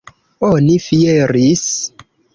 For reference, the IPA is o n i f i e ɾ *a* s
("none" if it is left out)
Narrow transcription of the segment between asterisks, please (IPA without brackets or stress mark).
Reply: i